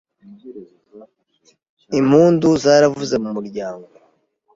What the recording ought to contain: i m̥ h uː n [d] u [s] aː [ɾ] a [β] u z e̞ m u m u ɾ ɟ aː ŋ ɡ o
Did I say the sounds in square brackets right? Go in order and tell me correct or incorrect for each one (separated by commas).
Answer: correct, incorrect, correct, incorrect